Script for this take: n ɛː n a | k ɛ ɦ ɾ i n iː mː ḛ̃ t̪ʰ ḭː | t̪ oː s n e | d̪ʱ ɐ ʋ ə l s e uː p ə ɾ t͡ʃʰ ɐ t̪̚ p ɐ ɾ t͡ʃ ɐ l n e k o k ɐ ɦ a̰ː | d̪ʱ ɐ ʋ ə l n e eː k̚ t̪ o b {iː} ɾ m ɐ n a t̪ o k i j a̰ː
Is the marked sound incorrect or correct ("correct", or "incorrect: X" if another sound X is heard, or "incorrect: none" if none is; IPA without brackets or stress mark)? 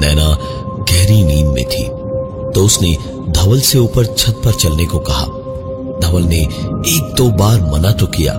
incorrect: aː